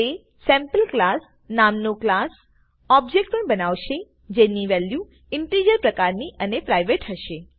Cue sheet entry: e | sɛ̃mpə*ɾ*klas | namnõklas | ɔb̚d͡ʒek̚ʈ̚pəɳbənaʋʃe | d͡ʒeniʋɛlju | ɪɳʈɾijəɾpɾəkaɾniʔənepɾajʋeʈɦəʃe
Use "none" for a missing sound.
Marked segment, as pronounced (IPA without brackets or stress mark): l